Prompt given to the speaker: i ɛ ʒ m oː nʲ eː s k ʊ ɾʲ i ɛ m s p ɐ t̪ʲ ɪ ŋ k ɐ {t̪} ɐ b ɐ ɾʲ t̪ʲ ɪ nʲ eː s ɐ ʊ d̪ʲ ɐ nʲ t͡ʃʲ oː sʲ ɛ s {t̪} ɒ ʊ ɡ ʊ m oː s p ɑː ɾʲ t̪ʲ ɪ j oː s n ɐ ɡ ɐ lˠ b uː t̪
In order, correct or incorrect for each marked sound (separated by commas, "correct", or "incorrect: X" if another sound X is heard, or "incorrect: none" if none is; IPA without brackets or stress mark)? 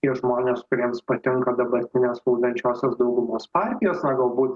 incorrect: d̪, incorrect: d̪